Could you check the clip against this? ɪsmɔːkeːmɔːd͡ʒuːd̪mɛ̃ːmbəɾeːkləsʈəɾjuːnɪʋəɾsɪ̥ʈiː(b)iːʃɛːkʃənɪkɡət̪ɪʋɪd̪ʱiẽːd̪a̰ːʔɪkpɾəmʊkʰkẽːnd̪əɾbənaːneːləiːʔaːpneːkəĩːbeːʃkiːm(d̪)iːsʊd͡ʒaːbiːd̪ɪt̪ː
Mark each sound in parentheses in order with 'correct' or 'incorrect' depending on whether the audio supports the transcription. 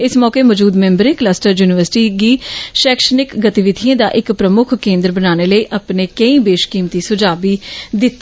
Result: incorrect, incorrect

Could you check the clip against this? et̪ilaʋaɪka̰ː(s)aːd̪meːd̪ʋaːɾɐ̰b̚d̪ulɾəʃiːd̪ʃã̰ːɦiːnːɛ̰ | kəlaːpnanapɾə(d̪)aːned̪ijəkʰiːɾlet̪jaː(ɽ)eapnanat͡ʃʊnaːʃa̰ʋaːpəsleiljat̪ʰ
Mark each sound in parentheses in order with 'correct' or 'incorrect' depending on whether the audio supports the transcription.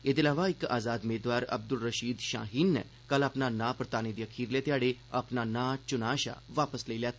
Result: incorrect, incorrect, correct

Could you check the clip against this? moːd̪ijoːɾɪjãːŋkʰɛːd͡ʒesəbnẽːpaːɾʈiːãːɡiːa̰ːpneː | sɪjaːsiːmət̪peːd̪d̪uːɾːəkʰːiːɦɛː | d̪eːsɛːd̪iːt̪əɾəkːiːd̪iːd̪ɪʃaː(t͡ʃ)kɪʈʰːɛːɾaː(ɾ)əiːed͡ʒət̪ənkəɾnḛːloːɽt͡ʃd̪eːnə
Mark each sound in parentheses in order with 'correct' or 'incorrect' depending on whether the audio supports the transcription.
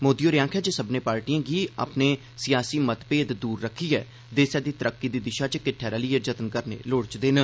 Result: correct, incorrect

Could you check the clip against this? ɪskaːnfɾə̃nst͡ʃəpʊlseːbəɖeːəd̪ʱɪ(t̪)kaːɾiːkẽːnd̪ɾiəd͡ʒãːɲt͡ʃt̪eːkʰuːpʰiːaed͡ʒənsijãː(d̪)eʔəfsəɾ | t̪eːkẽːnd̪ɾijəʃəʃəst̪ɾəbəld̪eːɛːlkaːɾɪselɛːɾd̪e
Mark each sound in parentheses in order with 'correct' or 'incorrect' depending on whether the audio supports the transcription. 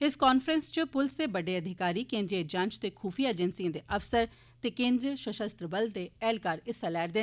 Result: incorrect, correct

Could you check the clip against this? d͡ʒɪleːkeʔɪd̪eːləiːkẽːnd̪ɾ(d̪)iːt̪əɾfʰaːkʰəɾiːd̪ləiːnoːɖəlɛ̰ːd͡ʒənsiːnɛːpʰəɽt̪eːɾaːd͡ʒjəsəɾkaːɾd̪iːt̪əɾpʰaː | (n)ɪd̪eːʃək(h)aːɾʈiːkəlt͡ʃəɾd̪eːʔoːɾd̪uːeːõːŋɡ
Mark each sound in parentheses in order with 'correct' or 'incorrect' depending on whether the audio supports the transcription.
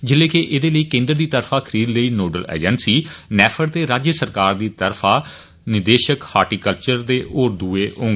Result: correct, correct, correct

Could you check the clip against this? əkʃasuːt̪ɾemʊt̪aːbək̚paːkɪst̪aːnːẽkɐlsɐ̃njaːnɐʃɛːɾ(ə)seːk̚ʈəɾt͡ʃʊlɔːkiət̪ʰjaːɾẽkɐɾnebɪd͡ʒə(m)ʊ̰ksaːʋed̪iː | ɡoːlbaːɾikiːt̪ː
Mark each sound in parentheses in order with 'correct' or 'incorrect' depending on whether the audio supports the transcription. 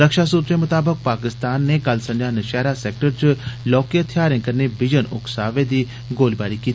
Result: incorrect, incorrect

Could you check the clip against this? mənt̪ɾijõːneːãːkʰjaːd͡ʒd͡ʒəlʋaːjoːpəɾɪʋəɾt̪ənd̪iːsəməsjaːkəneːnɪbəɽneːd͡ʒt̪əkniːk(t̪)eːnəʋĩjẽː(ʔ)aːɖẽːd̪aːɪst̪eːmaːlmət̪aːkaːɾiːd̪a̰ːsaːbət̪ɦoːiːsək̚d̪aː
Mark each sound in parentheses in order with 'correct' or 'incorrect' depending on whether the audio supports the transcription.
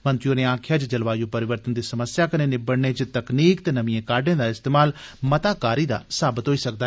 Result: correct, incorrect

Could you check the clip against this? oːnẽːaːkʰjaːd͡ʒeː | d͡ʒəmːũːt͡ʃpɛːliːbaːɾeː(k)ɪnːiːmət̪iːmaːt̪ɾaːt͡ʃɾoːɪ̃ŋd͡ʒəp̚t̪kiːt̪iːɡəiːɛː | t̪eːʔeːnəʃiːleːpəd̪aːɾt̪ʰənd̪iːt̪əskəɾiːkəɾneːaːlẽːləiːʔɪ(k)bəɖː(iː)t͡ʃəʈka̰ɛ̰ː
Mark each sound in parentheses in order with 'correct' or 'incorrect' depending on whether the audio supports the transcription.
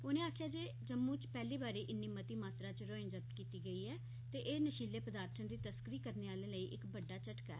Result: incorrect, correct, incorrect

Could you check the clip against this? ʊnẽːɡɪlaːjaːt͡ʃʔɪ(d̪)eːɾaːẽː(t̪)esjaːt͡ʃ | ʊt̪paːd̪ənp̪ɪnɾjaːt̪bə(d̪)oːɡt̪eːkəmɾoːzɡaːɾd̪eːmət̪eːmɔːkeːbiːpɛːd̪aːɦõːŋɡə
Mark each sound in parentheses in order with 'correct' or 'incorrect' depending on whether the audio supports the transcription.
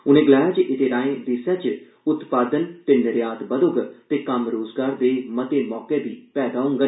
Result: incorrect, incorrect, correct

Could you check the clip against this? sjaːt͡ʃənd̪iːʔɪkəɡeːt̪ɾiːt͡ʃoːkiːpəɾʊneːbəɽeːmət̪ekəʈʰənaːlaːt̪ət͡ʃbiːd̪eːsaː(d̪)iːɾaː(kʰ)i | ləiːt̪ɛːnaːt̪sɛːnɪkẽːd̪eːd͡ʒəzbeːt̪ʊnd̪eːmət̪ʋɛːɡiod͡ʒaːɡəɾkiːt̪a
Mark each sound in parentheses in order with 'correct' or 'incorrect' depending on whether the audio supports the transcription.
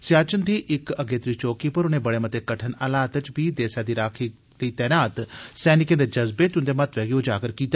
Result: correct, correct

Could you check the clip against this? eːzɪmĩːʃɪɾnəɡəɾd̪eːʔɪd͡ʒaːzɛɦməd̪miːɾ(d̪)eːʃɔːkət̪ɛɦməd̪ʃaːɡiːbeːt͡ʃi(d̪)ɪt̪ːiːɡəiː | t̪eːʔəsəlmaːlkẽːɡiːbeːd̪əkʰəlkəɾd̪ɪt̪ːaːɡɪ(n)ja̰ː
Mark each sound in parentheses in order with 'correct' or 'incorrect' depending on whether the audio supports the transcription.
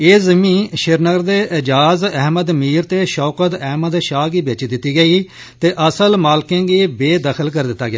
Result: incorrect, correct, incorrect

